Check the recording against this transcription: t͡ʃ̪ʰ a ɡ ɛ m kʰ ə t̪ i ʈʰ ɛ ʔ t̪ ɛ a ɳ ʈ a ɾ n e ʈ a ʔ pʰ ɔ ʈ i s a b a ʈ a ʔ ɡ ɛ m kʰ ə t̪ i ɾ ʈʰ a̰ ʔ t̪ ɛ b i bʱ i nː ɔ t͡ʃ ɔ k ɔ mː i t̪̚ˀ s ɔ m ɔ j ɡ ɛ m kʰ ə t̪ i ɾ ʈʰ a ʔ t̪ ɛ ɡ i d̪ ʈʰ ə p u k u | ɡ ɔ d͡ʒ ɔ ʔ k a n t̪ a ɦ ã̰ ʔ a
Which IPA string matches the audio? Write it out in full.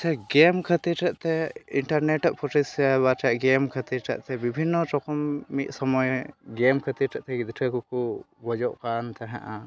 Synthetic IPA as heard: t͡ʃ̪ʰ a ɡ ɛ m kʰ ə t̪ i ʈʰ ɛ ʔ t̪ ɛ i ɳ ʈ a ɾ n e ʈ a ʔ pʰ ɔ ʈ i s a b a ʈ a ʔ ɡ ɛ m kʰ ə t̪ i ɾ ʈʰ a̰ ʔ t̪ ɛ b i bʱ i nː ɔ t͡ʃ ɔ k ɔ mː i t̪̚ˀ s ɔ m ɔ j ɡ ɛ m kʰ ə t̪ i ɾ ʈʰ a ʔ t̪ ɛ ɡ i d̪ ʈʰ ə k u k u | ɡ ɔ d͡ʒ ɔ ʔ k a n t̪ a ɦ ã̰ ʔ a